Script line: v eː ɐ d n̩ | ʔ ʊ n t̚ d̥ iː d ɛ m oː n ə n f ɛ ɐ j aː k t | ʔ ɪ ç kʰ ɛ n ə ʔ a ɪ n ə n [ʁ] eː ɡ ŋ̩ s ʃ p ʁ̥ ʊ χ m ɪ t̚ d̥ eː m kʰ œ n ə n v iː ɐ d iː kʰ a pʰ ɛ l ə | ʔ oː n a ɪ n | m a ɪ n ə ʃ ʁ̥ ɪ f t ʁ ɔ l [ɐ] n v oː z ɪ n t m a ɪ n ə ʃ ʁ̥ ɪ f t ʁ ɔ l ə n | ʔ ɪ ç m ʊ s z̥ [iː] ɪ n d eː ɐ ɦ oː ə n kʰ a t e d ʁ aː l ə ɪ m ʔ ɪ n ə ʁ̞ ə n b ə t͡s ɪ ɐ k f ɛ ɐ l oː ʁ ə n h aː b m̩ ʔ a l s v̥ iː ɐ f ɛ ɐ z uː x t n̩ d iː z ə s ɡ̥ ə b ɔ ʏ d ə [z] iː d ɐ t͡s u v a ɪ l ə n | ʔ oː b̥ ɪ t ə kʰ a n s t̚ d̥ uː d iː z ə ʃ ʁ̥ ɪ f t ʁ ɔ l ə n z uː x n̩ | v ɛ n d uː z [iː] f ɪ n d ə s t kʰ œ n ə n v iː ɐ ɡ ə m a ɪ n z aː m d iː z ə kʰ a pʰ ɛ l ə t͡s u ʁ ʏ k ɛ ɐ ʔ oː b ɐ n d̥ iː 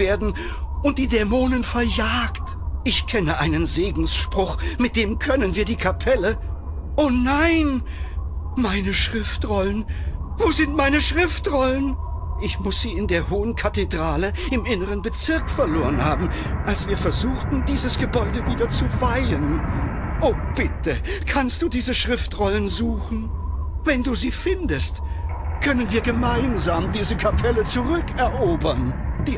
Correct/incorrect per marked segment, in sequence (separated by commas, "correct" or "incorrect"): incorrect, incorrect, correct, incorrect, correct